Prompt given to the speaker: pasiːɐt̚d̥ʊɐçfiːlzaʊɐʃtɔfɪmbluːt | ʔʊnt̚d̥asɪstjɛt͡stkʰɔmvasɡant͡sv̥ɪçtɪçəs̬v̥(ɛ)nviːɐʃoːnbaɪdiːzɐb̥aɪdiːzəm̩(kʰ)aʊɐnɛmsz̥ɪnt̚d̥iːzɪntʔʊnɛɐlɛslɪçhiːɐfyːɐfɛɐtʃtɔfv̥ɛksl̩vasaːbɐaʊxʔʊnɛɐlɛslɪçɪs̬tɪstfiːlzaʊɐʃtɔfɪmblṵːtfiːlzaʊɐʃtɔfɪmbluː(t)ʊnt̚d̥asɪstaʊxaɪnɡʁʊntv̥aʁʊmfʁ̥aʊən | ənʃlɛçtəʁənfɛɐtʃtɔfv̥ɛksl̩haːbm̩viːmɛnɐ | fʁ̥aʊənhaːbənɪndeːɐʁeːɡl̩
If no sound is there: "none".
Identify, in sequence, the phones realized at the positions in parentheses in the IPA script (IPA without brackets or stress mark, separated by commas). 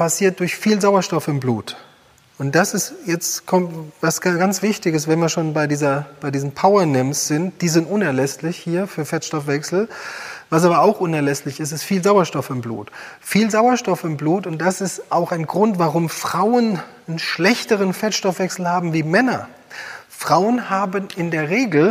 ɛ, pʰ, t